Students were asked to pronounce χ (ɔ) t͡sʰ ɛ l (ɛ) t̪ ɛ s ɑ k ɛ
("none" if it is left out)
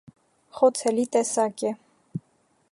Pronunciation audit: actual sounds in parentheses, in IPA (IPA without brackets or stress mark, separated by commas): ɔ, i